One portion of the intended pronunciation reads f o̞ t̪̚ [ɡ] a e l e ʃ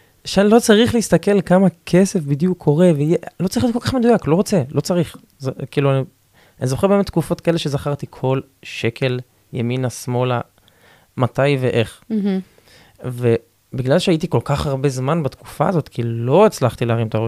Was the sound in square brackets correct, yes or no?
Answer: no